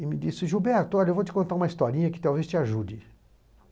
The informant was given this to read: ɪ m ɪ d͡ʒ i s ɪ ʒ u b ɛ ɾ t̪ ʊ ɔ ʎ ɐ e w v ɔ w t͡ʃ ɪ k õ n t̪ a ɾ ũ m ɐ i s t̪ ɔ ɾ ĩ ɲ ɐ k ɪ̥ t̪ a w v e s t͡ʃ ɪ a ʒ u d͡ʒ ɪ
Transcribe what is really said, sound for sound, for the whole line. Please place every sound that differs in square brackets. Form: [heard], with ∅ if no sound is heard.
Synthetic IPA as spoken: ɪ m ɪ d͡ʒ i s ɪ ʒ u b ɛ ɾ t̪ ʊ ɔ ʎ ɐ e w v [o] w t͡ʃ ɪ k õ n t̪ a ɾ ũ m ɐ i s t̪ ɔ ɾ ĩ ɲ ɐ k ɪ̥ t̪ a w v e s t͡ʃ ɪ a ʒ u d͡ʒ ɪ